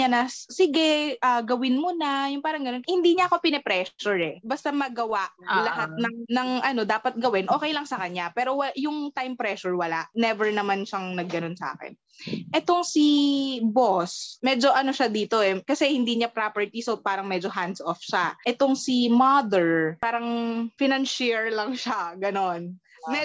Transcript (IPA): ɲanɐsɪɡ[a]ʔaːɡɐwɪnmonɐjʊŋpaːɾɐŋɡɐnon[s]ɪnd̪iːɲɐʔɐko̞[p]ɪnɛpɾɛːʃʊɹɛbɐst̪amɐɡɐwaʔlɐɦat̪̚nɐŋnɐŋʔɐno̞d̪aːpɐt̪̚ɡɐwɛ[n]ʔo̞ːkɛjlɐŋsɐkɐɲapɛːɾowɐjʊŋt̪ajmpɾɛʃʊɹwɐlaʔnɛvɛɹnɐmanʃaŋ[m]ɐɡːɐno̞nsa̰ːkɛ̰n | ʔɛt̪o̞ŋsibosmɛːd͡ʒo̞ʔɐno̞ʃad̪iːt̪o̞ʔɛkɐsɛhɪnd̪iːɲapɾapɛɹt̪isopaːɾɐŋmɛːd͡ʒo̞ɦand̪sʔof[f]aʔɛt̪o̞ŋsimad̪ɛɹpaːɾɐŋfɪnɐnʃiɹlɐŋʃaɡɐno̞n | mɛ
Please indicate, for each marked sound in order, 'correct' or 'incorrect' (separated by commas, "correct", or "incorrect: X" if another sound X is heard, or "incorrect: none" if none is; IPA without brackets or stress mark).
incorrect: ɛ, incorrect: h, correct, correct, incorrect: n, incorrect: ʃ